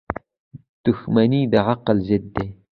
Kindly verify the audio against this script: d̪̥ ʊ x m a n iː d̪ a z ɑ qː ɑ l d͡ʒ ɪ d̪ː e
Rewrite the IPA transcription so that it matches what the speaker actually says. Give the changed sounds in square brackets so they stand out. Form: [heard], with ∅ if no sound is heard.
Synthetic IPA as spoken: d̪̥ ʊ x m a n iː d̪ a [ʕ] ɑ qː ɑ l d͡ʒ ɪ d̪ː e

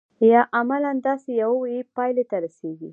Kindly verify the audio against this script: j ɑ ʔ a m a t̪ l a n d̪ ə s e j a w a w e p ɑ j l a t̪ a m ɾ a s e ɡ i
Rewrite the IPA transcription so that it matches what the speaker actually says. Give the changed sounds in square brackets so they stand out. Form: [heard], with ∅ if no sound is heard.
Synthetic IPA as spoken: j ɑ ʔ a m a [∅] l a n d̪ [ɑ] s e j a w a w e p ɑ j l [e] t̪ a [∅] ɾ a s e ɡ i

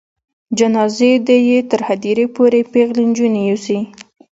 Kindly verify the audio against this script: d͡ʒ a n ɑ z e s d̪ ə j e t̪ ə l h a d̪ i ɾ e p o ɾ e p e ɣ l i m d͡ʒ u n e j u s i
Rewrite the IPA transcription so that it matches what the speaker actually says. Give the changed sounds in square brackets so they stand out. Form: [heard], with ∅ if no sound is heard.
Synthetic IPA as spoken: d͡ʒ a n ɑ z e [∅] d̪ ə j e t̪ ə [ɾ] h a d̪ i ɾ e p o ɾ e p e ɣ l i [n] d͡ʒ u n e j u s i

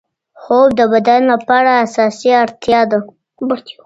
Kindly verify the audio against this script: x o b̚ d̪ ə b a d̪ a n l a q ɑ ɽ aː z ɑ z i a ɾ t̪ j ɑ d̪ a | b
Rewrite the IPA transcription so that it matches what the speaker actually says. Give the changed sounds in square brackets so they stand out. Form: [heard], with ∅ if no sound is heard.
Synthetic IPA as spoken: x o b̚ d̪ ə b a d̪ a n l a [p] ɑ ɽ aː [s] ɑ [s] i a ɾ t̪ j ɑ d̪ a | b

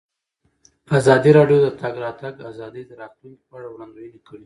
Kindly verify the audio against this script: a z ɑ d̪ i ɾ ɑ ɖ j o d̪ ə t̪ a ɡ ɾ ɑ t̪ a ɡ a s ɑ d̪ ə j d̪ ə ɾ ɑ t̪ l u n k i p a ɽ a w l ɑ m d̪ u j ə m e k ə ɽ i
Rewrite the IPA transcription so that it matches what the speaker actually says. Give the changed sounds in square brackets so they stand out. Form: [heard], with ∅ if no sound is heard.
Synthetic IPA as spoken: a z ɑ d̪ i ɾ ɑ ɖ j o d̪ ə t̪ a ɡ ɾ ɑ t̪ a ɡ a [z] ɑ d̪ ə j d̪ ə ɾ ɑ t̪ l u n k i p a ɽ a w [ɽ] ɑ [n] d̪ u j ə [n] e k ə ɽ i

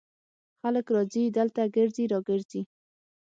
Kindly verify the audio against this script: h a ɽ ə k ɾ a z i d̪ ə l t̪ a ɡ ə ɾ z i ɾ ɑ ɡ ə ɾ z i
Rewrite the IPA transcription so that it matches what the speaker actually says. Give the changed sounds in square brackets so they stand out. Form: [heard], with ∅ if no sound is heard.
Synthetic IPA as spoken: [x] a [l] ə k ɾ [ɑ] z i d̪ ə l t̪ a ɡ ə ɾ z i ɾ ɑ ɡ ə ɾ z i

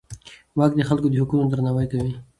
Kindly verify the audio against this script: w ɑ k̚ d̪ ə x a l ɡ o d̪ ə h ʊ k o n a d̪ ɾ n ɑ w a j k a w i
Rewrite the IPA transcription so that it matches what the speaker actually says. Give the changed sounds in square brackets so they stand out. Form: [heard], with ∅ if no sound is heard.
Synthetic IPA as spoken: w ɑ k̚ d̪ ə x a l [k] o d̪ ə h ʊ k [u] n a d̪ ɾ n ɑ w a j k a w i

